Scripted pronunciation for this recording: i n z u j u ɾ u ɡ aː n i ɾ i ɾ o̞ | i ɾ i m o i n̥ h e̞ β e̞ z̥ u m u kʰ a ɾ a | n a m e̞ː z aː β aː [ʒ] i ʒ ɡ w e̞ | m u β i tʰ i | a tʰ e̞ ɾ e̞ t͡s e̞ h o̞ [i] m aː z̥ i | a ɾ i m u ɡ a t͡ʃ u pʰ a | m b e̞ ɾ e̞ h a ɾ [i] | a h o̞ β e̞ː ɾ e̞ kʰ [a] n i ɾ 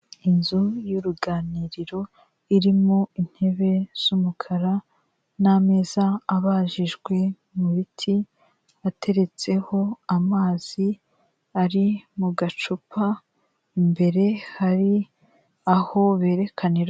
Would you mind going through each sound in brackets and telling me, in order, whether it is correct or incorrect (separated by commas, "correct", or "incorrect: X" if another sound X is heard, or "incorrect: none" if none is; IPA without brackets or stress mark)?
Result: correct, incorrect: a, correct, correct